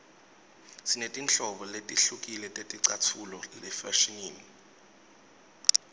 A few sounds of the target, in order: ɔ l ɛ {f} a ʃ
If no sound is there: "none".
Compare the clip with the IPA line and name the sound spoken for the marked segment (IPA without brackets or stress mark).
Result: f